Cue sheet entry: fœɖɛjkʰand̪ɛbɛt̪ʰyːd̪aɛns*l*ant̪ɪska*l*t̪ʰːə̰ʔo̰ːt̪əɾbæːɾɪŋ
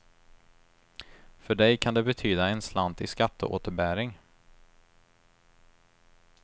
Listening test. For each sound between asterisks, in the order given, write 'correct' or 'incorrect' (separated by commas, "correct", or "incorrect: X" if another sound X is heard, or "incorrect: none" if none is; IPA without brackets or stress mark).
correct, incorrect: none